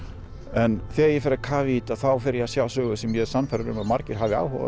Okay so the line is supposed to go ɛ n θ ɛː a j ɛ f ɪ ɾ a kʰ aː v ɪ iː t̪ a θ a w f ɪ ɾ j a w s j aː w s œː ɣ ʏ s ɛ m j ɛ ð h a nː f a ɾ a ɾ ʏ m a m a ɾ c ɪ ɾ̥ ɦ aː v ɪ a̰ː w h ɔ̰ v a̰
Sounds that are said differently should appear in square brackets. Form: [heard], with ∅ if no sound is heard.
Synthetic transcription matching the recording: ɛ n θ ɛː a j ɛ f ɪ ɾ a kʰ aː v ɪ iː t̪ a θ a w f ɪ ɾ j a [∅] s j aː w s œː ɣ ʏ s ɛ m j ɛ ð [s] a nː f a ɾ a ɾ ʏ m a m a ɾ c ɪ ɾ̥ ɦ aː v ɪ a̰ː w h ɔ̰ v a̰